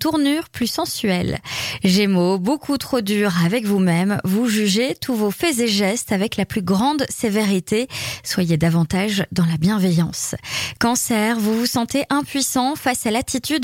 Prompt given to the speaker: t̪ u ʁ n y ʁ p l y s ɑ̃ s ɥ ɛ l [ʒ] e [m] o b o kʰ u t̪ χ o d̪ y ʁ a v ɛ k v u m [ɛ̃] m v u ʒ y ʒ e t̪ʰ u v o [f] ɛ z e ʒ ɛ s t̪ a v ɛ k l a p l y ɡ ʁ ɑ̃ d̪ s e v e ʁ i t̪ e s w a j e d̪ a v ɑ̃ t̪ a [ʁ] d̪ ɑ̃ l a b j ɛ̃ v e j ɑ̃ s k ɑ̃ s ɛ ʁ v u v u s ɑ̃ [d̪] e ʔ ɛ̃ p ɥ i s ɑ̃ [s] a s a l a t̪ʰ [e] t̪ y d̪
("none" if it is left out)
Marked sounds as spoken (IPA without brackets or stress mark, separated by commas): ʒ, m, ɛ, f, ʒ, t̪, f, i